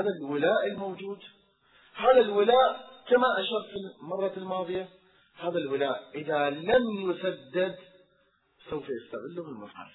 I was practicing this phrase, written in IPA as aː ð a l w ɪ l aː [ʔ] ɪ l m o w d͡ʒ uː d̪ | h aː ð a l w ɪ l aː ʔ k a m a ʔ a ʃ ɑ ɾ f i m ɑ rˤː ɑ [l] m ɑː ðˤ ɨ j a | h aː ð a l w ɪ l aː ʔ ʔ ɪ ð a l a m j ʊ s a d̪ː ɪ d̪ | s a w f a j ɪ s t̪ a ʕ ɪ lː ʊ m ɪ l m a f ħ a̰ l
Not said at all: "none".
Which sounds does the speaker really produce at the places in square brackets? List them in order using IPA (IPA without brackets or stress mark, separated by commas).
ʔ, l